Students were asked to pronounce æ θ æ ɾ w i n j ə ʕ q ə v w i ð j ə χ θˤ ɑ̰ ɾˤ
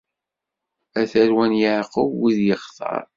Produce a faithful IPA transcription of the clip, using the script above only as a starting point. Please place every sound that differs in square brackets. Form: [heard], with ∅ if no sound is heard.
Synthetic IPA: æ θ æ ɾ w [æ] n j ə ʕ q ə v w i ð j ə χ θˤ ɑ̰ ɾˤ